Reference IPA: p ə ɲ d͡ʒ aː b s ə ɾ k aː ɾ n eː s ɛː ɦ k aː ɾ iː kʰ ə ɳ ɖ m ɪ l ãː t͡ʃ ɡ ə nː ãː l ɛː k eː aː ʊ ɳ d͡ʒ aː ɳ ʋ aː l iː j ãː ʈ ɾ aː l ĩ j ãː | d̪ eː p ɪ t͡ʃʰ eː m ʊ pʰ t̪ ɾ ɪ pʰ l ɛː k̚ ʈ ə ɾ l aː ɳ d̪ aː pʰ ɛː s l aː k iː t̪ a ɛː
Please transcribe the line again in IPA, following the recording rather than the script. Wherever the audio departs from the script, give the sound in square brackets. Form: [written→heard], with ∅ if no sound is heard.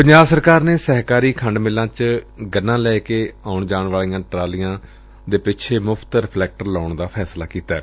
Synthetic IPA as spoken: p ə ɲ d͡ʒ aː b s ə ɾ k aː ɾ n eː s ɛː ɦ k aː ɾ iː kʰ ə ɳ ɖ m ɪ l ãː t͡ʃ ɡ ə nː ãː l ɛː k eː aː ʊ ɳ d͡ʒ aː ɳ ʋ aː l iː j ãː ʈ ɾ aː l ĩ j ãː | d̪ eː p ɪ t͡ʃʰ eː m ʊ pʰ t̪ ɾ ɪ pʰ l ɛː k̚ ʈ ə ɾ l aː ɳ d̪ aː pʰ ɛː s l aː k iː t̪ a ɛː